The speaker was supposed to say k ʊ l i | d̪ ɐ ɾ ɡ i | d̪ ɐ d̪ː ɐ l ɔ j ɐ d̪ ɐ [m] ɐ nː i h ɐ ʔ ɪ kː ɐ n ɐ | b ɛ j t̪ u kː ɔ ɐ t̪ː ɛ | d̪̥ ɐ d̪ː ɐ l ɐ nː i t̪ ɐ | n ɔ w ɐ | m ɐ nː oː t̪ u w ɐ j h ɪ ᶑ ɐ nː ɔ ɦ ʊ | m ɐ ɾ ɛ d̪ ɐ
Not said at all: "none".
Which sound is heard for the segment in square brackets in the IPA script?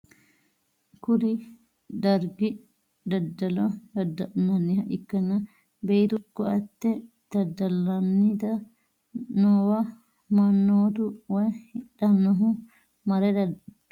n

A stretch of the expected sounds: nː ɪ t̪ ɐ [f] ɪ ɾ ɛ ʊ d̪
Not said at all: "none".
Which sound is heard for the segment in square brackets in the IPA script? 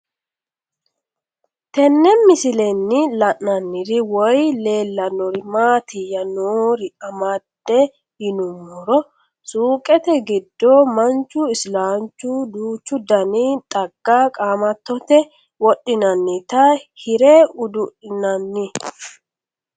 h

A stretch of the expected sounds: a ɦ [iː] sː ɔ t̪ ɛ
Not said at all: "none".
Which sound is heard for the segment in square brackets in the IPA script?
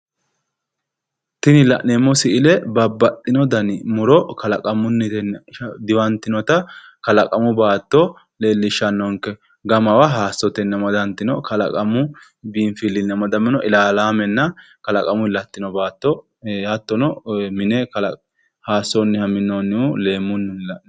aː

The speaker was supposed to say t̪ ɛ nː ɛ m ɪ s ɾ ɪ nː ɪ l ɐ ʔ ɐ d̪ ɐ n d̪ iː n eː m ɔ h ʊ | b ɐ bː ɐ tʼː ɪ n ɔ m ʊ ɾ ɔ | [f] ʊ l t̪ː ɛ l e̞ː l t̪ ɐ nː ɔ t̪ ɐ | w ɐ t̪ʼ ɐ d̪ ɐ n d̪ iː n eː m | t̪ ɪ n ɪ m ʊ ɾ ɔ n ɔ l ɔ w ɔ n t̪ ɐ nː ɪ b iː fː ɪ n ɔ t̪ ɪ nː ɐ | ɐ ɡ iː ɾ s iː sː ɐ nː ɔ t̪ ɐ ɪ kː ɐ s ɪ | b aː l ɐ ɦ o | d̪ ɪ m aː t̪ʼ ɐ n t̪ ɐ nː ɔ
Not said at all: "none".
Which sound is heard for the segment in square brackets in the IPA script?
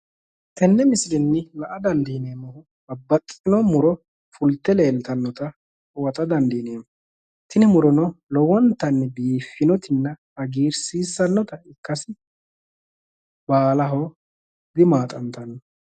f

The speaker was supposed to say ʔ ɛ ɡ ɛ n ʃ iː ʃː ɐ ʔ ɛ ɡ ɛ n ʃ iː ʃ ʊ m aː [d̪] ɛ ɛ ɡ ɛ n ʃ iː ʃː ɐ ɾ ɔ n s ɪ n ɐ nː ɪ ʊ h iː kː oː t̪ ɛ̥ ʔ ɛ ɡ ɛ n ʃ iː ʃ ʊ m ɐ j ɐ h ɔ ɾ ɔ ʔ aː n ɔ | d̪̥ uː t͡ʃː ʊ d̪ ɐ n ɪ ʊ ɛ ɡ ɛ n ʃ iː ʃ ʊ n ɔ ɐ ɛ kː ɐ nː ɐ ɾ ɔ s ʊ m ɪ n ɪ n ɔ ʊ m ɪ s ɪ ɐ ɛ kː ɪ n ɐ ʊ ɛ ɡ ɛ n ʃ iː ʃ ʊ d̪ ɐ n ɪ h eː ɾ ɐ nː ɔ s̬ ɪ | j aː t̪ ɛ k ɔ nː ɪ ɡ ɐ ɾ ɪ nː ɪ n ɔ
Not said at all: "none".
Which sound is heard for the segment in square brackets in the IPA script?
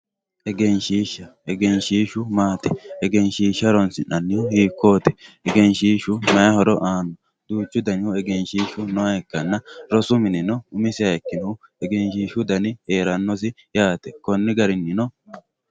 t̪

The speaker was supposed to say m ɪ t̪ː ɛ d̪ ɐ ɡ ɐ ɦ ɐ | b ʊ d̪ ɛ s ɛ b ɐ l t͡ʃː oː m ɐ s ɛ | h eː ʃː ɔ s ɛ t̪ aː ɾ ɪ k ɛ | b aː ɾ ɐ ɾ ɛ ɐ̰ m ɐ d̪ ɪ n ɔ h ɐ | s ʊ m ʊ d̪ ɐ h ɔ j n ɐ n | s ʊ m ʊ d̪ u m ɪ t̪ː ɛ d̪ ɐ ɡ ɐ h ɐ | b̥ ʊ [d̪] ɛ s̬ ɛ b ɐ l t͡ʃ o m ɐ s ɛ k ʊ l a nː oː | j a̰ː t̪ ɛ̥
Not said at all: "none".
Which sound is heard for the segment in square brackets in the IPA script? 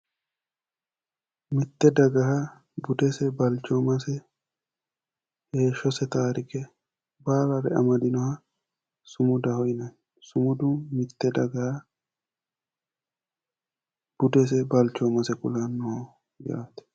d̪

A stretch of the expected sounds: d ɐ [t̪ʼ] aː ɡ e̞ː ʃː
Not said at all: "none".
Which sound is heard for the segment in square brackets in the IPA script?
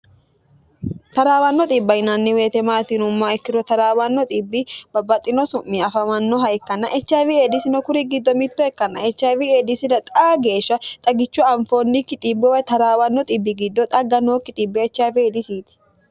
t̪ʼ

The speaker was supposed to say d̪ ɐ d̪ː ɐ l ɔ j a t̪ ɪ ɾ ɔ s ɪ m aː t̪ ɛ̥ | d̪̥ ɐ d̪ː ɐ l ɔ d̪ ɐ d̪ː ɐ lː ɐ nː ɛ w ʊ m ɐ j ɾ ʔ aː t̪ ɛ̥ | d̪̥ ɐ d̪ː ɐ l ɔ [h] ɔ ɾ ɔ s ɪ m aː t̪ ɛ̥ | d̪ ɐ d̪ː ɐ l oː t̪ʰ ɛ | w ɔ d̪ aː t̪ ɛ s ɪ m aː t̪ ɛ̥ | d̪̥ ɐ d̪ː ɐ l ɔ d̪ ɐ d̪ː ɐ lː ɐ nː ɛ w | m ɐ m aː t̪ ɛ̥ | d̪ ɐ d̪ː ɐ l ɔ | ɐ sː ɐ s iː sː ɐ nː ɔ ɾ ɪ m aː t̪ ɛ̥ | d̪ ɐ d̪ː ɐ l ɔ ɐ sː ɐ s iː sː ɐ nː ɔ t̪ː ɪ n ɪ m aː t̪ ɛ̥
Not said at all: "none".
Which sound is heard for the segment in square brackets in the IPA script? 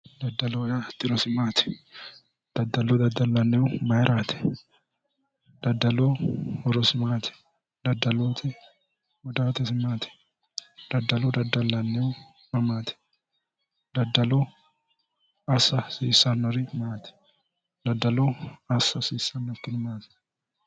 h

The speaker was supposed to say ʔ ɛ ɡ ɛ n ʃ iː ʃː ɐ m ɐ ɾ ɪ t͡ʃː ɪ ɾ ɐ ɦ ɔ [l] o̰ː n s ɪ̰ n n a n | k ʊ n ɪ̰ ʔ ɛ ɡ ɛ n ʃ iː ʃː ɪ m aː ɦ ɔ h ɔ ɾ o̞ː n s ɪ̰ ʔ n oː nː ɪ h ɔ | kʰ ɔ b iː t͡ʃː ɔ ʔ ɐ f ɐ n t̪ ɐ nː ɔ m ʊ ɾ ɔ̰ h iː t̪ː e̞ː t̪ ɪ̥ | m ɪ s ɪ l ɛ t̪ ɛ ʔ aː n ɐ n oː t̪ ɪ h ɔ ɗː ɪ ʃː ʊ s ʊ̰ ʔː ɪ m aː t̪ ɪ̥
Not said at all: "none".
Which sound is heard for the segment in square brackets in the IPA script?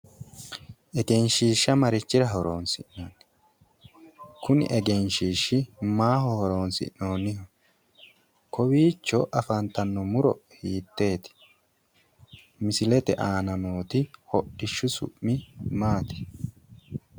ɾ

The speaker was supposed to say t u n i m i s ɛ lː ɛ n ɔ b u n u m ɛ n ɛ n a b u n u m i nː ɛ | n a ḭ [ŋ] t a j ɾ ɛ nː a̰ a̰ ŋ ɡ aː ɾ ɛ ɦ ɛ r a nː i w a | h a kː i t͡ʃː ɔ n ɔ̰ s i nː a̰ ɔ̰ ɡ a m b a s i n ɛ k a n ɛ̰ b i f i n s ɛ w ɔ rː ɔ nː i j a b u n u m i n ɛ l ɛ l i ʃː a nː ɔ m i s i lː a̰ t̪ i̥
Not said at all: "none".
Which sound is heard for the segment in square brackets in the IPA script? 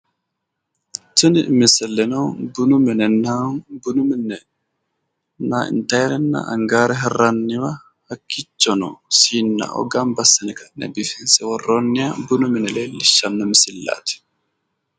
n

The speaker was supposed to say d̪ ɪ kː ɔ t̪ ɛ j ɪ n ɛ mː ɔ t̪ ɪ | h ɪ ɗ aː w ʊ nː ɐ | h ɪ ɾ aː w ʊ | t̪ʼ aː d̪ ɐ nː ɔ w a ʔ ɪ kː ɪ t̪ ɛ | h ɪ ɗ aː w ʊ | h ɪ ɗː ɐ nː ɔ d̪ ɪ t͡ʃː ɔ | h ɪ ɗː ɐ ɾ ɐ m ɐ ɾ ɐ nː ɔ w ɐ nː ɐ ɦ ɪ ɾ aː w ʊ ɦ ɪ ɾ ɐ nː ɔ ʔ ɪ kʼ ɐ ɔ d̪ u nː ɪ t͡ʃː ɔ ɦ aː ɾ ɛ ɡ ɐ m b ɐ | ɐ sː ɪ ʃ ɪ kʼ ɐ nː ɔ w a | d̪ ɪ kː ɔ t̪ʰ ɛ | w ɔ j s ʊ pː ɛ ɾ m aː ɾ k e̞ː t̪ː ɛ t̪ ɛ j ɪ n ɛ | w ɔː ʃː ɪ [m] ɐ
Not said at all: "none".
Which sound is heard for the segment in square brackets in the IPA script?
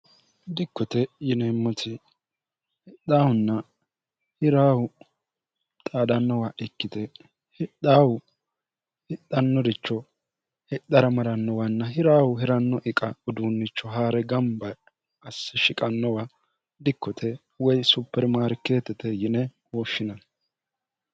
n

